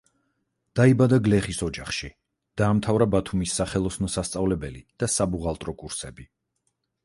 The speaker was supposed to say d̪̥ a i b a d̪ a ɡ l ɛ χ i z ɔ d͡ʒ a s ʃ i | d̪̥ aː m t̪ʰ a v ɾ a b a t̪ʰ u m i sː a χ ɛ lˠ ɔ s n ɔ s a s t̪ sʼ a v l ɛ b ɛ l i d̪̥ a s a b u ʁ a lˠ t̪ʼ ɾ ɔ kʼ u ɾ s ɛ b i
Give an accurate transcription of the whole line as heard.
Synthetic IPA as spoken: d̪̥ a i b a d̪ a ɡ l ɛ χ i s ɔ d͡ʒ a χ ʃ i | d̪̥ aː m t̪ʰ a v ɾ a b a t̪ʰ u m i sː a χ ɛ lˠ ɔ s n ɔ s a s t̪ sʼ a v l ɛ b ɛ l i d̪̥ a s a b u ʁ a lˠ t̪ʼ ɾ ɔ kʼ u ɾ s ɛ b i